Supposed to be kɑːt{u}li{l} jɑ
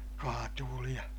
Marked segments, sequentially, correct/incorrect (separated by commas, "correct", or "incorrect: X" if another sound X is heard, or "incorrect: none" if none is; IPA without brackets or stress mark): incorrect: uː, incorrect: none